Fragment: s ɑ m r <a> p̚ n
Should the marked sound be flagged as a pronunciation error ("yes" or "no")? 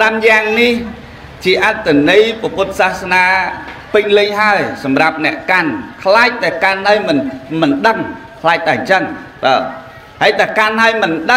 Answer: no